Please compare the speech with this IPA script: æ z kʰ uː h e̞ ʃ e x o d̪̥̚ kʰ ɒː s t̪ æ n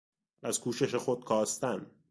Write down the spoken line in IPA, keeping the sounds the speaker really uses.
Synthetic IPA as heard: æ z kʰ uː ʃ e̞ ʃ e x o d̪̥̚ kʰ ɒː s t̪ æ n